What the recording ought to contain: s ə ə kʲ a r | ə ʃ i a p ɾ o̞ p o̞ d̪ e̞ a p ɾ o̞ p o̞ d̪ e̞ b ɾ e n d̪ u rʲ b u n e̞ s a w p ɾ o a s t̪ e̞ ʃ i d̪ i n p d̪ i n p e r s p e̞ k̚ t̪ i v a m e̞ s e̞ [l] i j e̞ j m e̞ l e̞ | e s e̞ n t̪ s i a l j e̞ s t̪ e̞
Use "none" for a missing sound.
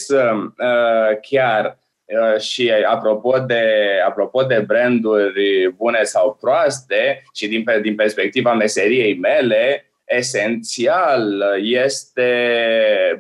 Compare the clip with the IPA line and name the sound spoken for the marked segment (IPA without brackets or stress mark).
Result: ɾ